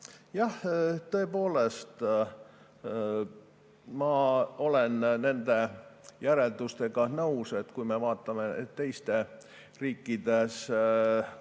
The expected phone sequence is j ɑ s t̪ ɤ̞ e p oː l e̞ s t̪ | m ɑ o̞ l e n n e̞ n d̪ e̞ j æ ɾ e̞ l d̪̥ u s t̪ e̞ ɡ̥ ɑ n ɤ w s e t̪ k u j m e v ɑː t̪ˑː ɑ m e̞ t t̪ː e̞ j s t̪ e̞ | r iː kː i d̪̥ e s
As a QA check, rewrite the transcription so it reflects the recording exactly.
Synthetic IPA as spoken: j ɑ h t̪ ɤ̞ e p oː l e̞ s t̪ | m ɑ o̞ l e n n e̞ n d̪ e̞ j æ ɾ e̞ l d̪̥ u s t̪ e̞ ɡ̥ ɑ n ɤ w s e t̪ k u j m e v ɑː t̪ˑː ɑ m e̞ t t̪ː e̞ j s t̪ e̞ | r iː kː i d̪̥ e s